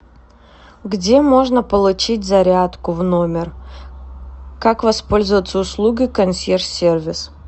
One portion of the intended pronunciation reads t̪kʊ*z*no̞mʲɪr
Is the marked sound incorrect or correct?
incorrect: v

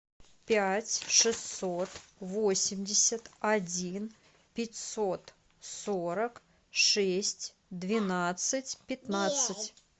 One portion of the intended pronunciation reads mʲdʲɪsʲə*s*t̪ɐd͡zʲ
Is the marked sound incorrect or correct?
incorrect: none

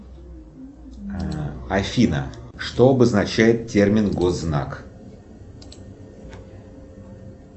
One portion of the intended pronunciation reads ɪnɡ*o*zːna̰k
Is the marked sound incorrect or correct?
correct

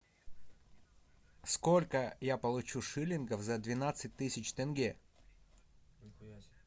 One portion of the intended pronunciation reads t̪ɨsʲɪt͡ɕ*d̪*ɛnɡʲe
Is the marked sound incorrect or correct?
incorrect: t̪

